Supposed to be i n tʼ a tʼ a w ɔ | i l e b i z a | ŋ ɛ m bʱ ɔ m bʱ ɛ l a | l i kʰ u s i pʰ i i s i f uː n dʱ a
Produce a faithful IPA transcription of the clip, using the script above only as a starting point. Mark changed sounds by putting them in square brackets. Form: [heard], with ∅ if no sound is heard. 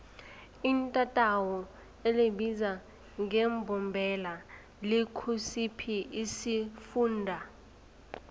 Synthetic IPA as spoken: i n tʼ a tʼ a w ɔ | [e] l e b i z a | ŋ ɛ m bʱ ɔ m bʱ ɛ l a | l i kʰ u s i pʰ i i s i f uː n dʱ a